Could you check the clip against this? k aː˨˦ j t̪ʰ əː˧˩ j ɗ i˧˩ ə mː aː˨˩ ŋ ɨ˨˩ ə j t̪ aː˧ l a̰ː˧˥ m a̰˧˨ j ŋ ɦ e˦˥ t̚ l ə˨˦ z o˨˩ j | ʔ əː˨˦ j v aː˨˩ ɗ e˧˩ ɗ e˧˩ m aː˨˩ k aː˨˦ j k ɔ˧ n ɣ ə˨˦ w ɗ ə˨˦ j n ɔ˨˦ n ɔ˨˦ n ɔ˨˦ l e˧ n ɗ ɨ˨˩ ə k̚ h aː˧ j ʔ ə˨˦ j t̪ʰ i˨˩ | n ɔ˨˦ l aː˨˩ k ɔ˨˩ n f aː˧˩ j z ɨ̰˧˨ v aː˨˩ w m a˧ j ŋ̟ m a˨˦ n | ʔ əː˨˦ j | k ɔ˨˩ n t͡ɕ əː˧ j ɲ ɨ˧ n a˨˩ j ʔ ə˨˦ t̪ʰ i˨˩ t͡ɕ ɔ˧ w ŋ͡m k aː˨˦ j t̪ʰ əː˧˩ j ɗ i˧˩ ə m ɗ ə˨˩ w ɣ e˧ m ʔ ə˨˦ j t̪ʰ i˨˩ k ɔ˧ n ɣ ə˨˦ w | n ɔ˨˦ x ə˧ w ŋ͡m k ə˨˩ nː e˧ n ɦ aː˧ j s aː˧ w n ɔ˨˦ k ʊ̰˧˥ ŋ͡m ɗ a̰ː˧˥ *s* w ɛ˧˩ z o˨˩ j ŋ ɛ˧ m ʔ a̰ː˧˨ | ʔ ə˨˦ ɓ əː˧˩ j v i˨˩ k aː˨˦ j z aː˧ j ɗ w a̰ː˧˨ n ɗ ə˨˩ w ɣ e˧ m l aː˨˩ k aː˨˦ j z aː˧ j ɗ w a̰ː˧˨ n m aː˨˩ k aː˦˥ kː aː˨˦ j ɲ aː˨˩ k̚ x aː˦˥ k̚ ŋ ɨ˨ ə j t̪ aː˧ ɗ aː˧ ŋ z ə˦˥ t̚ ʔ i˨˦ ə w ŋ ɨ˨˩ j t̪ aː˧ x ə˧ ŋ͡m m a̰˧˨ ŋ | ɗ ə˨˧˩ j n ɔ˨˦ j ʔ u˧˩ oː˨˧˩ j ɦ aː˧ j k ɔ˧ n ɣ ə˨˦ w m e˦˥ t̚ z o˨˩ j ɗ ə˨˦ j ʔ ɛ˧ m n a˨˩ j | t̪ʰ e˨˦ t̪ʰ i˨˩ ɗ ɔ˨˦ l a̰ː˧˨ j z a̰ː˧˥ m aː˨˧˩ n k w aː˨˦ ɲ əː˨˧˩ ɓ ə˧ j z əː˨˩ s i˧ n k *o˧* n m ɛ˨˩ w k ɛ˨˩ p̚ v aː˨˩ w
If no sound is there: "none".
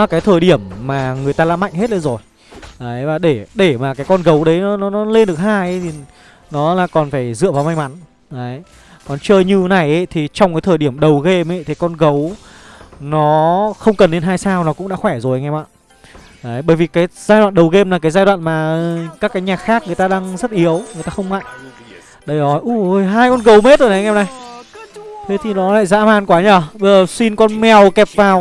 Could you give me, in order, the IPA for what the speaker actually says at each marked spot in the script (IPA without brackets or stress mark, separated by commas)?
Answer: x, ɔ˧